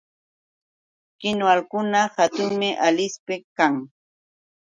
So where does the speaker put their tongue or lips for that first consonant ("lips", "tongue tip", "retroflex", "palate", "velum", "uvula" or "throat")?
velum